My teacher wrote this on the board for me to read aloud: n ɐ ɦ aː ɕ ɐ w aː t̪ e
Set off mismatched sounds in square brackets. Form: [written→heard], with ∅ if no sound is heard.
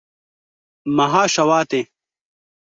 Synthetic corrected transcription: [n→m] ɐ ɦ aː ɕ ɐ w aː t̪ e